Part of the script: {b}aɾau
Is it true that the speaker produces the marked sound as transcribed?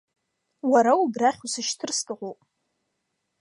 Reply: no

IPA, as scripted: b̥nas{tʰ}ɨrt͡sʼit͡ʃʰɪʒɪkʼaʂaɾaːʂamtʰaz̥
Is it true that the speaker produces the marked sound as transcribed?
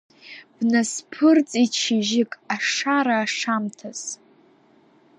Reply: no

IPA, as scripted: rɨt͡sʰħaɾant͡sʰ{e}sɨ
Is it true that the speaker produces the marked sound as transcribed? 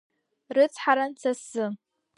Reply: no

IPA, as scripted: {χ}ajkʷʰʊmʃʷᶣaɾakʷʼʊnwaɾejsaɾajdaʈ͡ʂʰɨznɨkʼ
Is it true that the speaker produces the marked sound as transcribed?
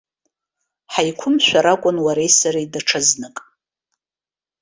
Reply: no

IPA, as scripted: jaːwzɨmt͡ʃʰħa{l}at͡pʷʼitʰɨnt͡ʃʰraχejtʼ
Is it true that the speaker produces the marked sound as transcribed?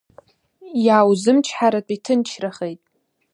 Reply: no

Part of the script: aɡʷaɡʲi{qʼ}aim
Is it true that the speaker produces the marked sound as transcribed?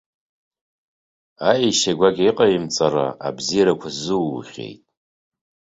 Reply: yes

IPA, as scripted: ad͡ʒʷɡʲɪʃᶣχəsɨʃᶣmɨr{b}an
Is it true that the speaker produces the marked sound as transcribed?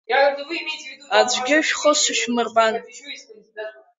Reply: yes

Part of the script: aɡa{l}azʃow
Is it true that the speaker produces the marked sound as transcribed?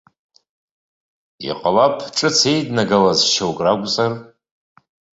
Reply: yes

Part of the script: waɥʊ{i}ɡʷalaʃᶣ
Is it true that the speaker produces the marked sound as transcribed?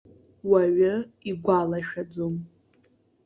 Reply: yes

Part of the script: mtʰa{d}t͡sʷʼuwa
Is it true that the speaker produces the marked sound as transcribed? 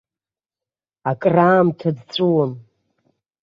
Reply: yes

